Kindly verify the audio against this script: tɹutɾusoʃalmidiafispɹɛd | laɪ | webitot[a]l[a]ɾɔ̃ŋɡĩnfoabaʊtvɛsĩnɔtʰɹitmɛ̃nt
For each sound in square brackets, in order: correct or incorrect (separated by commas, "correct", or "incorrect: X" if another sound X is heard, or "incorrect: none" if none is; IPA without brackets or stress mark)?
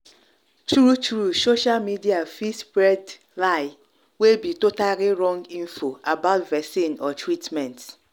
correct, incorrect: i